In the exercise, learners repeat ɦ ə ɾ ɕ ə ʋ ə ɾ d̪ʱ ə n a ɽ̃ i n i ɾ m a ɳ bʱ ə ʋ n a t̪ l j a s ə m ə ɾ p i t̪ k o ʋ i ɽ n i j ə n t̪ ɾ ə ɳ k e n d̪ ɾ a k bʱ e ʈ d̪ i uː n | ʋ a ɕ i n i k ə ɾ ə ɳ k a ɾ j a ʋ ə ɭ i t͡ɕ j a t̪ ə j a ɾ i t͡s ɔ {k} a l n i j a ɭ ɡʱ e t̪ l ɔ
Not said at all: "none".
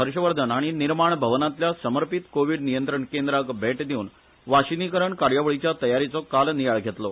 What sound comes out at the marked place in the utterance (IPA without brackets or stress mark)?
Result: k